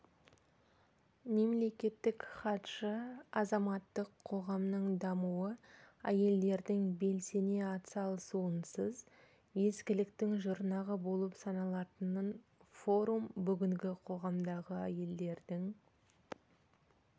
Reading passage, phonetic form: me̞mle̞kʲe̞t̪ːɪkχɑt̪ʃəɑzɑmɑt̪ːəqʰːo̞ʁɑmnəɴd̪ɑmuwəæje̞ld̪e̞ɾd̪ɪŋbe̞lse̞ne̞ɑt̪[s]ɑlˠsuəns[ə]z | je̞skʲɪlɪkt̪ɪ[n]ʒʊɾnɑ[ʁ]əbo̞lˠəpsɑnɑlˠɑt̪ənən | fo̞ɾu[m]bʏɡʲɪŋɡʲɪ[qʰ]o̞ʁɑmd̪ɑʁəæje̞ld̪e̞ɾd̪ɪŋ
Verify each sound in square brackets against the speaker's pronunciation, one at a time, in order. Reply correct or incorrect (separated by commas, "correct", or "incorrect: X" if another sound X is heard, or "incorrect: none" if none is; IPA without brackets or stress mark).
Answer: correct, correct, incorrect: ŋ, correct, correct, correct